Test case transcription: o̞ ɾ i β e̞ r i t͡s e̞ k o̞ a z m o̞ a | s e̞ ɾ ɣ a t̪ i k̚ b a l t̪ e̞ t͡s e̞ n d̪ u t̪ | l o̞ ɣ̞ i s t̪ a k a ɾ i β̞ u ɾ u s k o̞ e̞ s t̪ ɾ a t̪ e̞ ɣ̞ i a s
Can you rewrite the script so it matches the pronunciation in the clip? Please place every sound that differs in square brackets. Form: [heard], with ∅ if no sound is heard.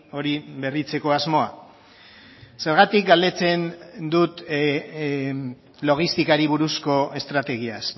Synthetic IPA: o̞ ɾ i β e̞ r i t͡s e̞ k o̞ a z m o̞ a | s e̞ ɾ ɣ a t̪ i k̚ [ɡ] a l [d̪] e̞ t͡s e̞ n d̪ u t̪ | l o̞ ɣ̞ i s t̪ [i] k a ɾ i β̞ u ɾ u s k o̞ e̞ s t̪ ɾ a t̪ e̞ ɣ̞ i a s